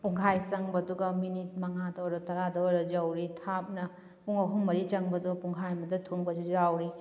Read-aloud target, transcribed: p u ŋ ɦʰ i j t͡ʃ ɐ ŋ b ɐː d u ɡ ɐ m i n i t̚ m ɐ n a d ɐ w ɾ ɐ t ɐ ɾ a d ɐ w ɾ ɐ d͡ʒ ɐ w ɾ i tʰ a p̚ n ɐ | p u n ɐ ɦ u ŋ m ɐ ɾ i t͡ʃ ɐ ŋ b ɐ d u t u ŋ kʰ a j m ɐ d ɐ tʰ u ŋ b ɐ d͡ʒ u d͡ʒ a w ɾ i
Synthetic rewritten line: p u ŋ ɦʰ a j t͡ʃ ɐ ŋ b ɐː d u ɡ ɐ m i n i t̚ m ɐ ŋ a d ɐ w ɾ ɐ t ɐ ɾ a d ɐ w ɾ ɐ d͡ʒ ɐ w ɾ i tʰ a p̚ n ɐ | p u ŋ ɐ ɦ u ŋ m ɐ ɾ i t͡ʃ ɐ ŋ b ɐ d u p u ŋ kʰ a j m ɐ d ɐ tʰ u ŋ b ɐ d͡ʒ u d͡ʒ a w ɾ i